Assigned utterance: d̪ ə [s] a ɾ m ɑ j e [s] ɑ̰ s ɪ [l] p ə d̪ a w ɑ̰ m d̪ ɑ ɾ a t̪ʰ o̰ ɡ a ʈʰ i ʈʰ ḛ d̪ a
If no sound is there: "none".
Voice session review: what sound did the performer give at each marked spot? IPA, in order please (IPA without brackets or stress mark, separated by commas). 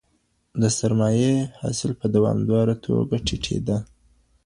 s, h, l